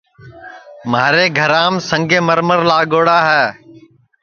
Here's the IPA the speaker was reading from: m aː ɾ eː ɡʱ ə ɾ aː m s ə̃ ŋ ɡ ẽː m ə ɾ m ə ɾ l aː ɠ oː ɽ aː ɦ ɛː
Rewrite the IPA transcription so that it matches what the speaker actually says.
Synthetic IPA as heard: m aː ɾ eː ɡʱ ə ɾ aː m s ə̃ ŋ ɡ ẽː m ə ɾ m ə ɾ l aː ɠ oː ɽ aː ɦ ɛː